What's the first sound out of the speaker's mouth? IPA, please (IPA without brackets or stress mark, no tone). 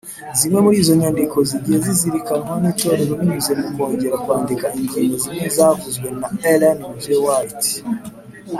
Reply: z